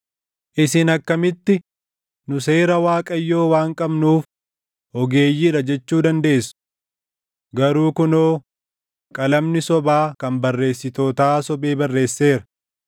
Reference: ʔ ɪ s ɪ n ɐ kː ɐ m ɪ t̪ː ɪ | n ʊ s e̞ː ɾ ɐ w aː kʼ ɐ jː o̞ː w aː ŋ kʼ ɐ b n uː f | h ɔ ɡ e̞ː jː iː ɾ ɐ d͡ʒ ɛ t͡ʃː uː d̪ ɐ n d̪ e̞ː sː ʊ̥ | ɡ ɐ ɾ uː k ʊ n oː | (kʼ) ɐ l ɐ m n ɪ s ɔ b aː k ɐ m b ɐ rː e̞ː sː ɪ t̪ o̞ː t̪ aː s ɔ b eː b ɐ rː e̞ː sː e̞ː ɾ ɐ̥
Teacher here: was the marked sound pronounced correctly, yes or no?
yes